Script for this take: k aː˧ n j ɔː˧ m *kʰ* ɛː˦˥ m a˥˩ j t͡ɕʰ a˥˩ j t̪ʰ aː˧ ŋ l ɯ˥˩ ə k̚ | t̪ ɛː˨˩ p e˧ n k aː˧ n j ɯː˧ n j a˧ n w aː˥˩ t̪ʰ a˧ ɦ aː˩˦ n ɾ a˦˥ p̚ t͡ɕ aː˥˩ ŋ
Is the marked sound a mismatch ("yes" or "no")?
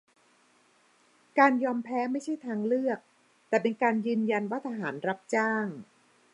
yes